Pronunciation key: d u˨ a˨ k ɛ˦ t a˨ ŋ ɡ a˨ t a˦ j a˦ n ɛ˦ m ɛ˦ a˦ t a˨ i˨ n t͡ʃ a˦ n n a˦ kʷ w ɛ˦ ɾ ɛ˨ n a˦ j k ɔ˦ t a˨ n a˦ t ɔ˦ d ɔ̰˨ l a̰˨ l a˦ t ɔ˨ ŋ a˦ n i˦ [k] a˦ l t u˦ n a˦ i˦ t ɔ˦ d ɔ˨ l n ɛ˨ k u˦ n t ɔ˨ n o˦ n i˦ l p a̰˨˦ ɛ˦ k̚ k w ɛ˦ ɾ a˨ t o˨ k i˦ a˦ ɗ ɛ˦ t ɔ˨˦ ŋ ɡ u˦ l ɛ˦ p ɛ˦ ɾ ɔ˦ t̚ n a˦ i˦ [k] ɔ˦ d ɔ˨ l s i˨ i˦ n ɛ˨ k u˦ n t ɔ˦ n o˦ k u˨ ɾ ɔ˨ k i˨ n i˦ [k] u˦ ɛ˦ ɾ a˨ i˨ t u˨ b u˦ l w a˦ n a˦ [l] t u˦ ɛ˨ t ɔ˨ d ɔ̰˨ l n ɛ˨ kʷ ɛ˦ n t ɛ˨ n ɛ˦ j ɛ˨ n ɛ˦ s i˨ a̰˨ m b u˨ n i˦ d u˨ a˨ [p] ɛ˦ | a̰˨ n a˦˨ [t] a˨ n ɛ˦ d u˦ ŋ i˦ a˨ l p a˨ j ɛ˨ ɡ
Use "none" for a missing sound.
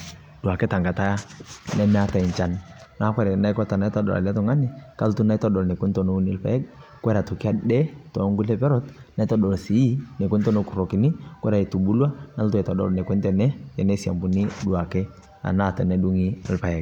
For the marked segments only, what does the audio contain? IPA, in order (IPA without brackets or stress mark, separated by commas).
k, t, k, l, k, t